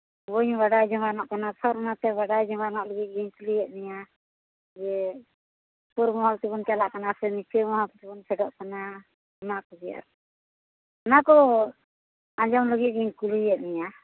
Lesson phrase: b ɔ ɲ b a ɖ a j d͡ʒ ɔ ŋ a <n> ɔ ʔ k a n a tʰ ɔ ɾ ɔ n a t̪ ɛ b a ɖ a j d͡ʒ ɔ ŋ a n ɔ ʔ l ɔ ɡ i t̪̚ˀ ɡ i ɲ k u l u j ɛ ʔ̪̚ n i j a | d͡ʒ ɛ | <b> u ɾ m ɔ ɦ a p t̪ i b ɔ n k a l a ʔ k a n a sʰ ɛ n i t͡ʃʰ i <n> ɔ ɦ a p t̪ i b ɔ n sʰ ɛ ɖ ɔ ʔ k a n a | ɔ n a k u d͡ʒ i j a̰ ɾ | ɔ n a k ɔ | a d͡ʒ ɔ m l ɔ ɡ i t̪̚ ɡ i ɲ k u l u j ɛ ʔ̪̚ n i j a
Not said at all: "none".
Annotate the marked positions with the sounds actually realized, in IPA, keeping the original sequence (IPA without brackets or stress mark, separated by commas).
n, p, m